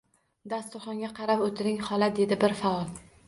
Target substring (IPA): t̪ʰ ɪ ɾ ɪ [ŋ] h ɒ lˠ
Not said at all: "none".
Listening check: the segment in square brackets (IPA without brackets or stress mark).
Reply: ŋ